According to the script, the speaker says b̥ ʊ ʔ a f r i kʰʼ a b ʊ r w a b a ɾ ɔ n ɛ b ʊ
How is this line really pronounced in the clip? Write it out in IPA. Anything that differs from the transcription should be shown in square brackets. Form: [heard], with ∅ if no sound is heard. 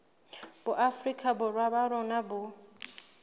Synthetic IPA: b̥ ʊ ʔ a f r i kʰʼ a b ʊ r w a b a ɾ ɔ n [a] b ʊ